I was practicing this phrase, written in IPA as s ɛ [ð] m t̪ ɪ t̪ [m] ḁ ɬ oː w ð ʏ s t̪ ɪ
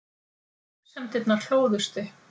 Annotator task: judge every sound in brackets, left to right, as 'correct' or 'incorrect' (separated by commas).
incorrect, incorrect